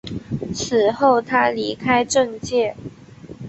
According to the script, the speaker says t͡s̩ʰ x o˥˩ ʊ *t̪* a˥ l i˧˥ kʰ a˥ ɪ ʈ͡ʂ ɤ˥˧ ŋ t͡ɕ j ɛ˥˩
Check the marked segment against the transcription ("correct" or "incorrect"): incorrect